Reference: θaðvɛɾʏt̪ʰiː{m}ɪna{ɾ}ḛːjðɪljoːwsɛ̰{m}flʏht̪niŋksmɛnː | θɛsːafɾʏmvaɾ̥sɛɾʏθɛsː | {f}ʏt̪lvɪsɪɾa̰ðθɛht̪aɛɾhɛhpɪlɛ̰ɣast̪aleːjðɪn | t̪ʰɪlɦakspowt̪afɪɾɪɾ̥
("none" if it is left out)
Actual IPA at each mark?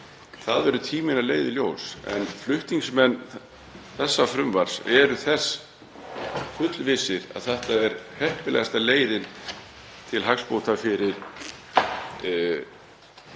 m, l, n, f

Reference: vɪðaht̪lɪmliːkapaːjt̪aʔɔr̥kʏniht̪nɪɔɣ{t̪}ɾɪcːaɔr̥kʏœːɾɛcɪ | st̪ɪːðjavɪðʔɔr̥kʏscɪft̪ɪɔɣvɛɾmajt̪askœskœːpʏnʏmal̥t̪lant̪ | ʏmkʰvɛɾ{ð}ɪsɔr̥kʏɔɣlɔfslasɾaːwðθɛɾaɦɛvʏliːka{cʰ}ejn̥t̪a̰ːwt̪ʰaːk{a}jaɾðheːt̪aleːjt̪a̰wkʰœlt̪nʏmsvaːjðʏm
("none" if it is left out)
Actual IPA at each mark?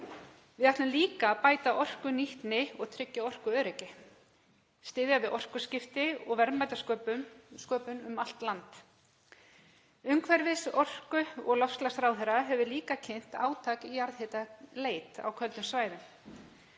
t̪ʰ, v, cʰ, i

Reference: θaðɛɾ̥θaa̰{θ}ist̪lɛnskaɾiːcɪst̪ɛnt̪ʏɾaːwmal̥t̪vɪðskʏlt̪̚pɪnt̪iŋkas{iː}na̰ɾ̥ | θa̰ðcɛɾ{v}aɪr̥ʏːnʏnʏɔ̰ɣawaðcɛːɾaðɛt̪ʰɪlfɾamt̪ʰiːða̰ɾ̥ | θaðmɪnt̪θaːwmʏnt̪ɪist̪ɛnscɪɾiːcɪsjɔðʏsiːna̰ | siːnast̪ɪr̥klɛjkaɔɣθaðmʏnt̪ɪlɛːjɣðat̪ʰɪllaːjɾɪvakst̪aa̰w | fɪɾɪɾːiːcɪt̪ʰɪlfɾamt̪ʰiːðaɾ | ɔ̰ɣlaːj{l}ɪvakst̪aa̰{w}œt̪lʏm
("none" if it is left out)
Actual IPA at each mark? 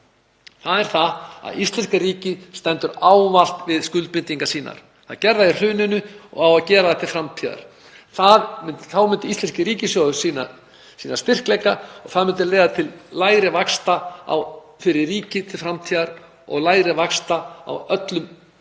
ð, iː, ð, ɾ, w

